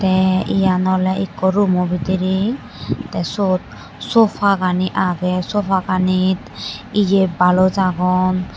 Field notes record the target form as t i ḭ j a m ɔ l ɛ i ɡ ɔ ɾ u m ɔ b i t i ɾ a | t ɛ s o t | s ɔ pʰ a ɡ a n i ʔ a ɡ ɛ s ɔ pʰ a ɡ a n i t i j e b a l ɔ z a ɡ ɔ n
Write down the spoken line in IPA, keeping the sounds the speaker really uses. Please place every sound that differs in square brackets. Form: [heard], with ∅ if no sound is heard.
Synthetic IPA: t [ɛ] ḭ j a [n] ɔ l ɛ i [k] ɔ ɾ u m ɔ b i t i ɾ [i] | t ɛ s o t | s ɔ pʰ a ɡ a n i ʔ a ɡ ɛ s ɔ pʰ a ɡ a n i t i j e b a l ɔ z a ɡ ɔ n